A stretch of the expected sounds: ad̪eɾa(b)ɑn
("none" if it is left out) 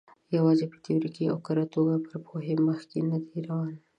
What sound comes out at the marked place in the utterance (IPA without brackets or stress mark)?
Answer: w